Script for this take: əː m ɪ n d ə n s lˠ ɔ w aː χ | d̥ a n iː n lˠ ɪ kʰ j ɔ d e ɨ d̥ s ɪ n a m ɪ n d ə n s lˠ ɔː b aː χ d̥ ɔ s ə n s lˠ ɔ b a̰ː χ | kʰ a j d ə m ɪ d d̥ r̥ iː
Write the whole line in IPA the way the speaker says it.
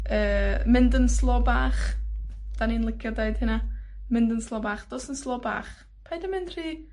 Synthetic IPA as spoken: əː m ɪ n d ə n s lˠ ɔ b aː χ | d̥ a n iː n lˠ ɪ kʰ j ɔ d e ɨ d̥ h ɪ n a m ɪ n d ə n s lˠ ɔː b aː χ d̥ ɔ s ə n s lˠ ɔ b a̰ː χ | pʰ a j d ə m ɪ n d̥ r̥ iː